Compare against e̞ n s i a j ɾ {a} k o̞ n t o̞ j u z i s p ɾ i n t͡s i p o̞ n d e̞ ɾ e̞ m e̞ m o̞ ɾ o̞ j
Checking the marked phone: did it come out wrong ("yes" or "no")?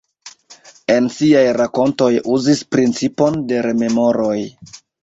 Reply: no